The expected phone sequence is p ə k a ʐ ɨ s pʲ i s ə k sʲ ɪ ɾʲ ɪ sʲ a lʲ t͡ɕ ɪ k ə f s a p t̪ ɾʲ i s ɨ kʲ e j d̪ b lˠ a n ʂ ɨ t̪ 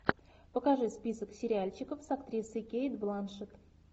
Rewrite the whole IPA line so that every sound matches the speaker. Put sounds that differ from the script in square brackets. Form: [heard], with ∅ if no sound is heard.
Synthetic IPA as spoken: p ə k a ʐ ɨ s pʲ i s ə k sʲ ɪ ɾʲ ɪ [∅] a lʲ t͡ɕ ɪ k ə f s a [k] t̪ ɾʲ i s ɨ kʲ e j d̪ b lˠ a n ʂ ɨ t̪